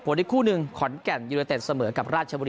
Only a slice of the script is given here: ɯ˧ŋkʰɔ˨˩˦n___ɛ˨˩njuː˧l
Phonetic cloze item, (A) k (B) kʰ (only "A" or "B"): A